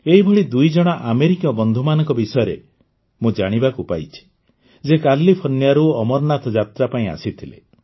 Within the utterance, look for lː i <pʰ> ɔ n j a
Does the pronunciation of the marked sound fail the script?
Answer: no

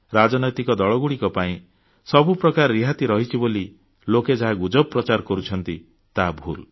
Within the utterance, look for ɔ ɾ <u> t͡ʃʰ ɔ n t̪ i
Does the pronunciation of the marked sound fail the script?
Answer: no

